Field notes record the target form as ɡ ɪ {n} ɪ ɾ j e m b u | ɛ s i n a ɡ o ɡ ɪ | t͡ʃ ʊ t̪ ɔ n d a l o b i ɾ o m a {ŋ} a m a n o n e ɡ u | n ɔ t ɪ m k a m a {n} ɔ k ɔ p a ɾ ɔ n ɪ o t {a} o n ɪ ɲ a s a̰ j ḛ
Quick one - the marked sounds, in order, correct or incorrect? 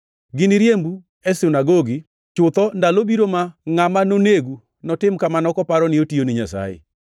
correct, correct, correct, incorrect: i

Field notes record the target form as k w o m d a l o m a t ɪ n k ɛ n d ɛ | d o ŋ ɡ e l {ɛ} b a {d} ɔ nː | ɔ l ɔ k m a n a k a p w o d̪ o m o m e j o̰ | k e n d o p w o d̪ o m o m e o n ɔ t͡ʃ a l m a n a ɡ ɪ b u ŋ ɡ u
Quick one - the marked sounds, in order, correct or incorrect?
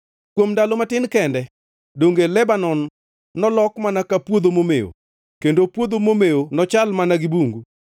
correct, incorrect: n

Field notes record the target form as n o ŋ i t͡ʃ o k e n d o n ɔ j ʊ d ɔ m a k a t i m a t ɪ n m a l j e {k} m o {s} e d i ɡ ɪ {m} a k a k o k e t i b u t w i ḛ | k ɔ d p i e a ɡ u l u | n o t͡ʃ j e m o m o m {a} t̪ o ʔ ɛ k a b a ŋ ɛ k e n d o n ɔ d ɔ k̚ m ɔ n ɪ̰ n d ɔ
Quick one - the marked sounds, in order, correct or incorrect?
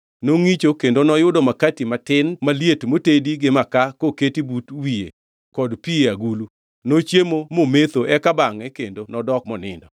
incorrect: t, incorrect: t, correct, incorrect: e

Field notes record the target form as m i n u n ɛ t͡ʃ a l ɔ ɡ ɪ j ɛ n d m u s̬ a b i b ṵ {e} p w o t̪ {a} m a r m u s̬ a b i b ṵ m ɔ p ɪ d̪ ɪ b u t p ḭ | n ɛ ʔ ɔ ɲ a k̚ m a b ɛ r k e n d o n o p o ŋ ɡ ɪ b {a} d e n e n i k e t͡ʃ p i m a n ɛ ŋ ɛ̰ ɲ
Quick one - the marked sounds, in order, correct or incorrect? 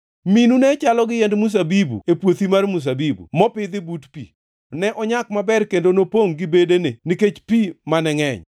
correct, incorrect: i, incorrect: e

